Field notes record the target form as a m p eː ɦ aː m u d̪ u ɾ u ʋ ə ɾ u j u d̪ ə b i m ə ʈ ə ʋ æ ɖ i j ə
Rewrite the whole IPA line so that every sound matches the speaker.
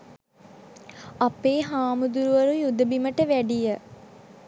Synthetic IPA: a p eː ɦ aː m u d̪ u ɾ u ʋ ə ɾ u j u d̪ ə b i m ə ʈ ə ʋ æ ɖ i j ə